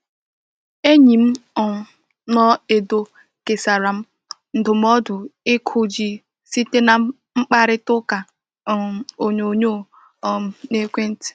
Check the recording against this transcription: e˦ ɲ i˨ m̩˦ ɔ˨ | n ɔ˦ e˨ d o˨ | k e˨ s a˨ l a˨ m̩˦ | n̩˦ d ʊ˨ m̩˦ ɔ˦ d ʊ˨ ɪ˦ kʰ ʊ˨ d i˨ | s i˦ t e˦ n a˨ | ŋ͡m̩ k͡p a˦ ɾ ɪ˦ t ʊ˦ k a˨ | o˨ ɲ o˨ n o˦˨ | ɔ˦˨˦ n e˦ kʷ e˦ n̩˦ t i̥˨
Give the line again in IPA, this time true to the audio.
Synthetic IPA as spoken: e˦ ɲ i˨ m̩˦ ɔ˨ | n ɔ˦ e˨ d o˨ | k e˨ s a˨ ɾ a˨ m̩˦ | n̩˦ d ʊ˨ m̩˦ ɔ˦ d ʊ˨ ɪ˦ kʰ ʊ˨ d͡ʒ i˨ | s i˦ t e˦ n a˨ | ŋ͡m̩ k͡p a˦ ɾ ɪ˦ t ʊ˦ k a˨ | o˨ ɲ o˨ ɲ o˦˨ | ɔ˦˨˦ n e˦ kʷ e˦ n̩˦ t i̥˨